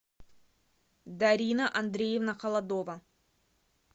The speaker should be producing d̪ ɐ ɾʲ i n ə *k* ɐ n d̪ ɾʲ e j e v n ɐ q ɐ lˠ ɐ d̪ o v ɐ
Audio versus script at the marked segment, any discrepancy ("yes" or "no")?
yes